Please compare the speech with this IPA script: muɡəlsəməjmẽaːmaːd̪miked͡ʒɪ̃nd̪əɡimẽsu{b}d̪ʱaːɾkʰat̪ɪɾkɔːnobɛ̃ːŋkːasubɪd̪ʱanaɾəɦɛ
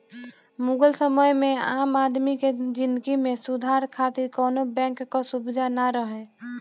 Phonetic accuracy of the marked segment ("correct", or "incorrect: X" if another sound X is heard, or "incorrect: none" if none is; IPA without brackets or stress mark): incorrect: none